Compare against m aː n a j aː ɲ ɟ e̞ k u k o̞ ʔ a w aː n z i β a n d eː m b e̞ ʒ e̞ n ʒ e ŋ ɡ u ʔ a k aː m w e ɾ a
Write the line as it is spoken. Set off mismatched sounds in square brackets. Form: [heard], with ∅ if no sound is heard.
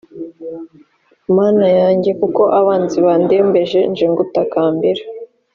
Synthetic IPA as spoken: m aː n a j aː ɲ ɟ e̞ k u k o̞ ʔ a [β] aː n z i β a n d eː m b e̞ ʒ e̞ n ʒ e ŋ ɡ u [t] a k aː m [b] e ɾ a